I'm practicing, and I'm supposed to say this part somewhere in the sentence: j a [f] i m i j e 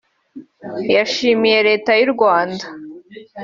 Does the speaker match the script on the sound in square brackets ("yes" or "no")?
no